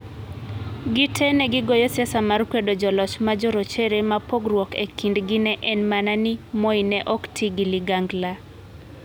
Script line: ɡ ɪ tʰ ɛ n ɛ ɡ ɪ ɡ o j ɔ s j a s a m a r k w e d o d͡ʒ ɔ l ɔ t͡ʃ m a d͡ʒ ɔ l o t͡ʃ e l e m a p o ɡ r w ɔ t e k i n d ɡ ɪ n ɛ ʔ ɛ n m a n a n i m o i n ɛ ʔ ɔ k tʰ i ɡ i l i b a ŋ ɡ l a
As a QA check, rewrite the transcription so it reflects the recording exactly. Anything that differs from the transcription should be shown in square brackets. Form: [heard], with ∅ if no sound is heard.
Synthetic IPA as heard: ɡ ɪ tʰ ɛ n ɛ ɡ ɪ ɡ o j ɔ s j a s a m a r k w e d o d͡ʒ ɔ l ɔ t͡ʃ m a d͡ʒ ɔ [ɾ] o t͡ʃ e [ɾ] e m a p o ɡ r w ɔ [k] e k i n d ɡ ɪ n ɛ ʔ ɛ n m a n a n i m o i n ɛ ʔ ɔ k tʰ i ɡ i l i [ɡ] a ŋ ɡ l a